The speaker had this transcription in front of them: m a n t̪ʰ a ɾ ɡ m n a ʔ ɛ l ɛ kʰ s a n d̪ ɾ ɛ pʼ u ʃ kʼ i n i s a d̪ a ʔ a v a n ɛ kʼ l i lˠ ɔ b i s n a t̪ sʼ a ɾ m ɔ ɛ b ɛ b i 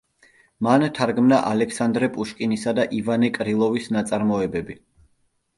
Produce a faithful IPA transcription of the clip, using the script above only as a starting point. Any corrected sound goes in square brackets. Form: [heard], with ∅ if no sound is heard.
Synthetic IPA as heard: m a n t̪ʰ a ɾ ɡ m n a ʔ [a] l ɛ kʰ s a n d̪ ɾ ɛ pʼ u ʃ kʼ i n i s a d̪ a ʔ [i] v a n ɛ kʼ [ɾ] i lˠ ɔ [v] i s n a t̪ sʼ a ɾ m ɔ ɛ b ɛ b i